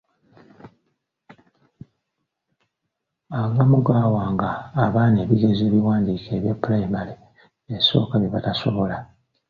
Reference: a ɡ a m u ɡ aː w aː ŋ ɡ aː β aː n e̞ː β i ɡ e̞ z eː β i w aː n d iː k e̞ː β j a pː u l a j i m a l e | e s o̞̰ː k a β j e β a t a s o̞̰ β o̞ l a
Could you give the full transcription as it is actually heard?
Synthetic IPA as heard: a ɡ a m u ɡ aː w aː ŋ ɡ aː β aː n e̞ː β i ɡ e̞ z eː β i w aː n d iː k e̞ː β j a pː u l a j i m a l e | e s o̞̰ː k a β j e β a t a s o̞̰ β o̞ l a